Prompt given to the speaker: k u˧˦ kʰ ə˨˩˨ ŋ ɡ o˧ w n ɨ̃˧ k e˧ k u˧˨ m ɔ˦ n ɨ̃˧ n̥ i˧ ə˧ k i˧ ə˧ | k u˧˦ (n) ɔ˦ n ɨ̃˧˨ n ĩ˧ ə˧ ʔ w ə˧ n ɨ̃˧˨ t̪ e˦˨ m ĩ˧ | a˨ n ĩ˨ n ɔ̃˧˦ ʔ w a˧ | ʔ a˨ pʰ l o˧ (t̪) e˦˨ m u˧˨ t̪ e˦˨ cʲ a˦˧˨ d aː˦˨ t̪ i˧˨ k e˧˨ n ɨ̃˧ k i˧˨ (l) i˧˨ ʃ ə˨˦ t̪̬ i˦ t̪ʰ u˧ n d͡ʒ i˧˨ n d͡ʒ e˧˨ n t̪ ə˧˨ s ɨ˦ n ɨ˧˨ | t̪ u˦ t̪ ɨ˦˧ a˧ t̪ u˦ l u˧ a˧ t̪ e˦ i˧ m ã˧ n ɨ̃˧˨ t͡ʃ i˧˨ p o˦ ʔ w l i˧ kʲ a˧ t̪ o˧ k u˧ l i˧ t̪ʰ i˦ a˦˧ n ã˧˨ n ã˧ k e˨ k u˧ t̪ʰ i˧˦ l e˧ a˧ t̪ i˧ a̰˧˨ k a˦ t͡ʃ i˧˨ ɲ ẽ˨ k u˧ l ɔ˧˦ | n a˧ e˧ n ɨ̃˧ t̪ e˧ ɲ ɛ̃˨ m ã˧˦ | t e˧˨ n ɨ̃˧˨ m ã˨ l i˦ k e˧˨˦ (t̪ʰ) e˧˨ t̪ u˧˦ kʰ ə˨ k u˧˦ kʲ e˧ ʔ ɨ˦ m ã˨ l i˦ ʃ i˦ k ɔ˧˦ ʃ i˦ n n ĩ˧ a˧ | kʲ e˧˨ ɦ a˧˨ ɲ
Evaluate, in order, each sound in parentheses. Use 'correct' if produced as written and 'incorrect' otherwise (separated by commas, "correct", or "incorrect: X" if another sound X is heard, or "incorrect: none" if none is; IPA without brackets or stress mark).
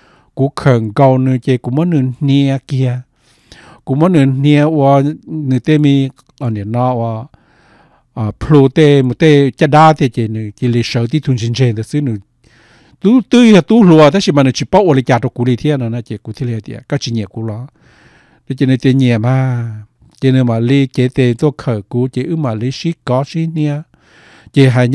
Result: incorrect: m, correct, correct, incorrect: t̪